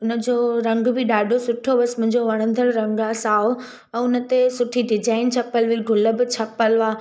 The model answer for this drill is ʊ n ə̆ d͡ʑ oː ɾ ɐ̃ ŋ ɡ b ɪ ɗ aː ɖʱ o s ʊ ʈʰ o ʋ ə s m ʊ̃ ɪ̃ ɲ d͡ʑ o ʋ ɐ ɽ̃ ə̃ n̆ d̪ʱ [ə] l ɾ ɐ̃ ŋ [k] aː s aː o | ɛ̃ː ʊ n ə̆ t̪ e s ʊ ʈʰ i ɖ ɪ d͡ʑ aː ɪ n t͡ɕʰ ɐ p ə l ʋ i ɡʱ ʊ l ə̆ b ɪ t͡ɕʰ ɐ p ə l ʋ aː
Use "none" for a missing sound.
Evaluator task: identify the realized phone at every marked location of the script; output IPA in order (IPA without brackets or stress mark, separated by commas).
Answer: ə, ɡ